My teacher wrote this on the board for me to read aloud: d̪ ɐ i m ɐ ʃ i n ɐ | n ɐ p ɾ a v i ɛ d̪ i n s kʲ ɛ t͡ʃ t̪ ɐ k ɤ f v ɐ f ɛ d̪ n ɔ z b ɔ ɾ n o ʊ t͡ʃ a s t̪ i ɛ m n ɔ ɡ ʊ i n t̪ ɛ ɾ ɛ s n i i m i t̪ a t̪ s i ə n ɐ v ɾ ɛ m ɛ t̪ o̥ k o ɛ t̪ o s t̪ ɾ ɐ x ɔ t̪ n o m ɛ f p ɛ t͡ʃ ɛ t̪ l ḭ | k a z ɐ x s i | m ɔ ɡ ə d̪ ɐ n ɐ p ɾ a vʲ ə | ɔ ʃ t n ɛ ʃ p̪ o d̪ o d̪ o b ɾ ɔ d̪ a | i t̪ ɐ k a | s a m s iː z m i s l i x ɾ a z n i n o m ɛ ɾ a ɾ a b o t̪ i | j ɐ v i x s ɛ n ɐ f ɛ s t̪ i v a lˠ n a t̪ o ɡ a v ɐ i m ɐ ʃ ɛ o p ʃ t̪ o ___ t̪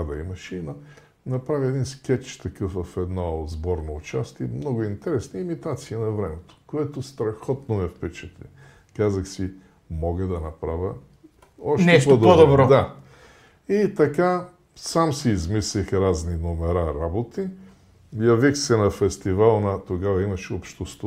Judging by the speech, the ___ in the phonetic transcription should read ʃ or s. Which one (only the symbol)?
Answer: s